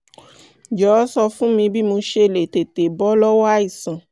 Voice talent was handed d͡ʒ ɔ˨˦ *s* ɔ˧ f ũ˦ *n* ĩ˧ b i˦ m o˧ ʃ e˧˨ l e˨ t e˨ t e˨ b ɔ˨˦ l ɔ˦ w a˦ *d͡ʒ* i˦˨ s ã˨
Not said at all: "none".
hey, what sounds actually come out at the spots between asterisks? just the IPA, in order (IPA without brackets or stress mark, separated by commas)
s, m, none